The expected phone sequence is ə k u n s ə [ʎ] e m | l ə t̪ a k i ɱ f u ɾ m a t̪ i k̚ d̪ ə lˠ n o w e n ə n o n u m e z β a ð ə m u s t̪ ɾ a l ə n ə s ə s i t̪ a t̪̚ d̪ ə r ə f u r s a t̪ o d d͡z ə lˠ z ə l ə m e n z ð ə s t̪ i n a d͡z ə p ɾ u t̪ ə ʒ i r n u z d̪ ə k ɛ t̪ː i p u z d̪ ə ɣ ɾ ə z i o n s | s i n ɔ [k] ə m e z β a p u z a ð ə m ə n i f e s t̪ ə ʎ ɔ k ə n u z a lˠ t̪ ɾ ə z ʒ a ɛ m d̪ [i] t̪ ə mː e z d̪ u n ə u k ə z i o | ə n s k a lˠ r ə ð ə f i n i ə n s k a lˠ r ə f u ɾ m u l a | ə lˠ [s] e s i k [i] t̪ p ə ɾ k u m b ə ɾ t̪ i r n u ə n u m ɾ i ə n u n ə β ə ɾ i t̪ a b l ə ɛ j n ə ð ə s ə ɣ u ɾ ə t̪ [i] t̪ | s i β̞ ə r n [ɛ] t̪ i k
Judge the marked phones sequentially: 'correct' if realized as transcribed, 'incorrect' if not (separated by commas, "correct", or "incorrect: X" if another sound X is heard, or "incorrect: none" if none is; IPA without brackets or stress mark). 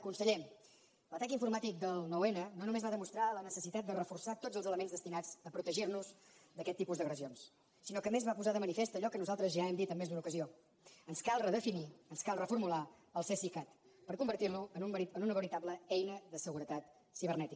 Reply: correct, correct, correct, correct, incorrect: a, incorrect: a, correct